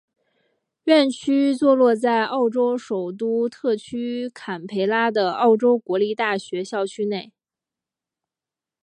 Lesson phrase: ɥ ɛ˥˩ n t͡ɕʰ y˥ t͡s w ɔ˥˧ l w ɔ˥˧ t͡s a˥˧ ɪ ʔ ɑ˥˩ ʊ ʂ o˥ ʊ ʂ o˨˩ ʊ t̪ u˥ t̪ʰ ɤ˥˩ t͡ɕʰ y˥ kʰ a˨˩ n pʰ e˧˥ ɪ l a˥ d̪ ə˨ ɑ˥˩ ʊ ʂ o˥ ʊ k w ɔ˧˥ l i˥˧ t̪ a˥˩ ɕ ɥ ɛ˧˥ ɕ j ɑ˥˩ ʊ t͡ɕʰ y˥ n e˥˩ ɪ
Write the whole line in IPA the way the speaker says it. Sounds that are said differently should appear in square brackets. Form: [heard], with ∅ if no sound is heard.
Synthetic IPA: ɥ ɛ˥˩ n t͡ɕʰ y˥ t͡s w ɔ˥˧ l w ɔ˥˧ t͡s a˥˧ ɪ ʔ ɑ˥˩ ʊ [ʈ͡ʂ] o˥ ʊ ʂ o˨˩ ʊ t̪ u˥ t̪ʰ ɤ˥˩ t͡ɕʰ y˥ kʰ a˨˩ n pʰ e˧˥ ɪ l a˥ d̪ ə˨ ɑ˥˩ ʊ [ʈ͡ʂ] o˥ ʊ k w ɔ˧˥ l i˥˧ t̪ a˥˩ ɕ ɥ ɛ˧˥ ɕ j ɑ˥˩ ʊ t͡ɕʰ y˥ n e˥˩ ɪ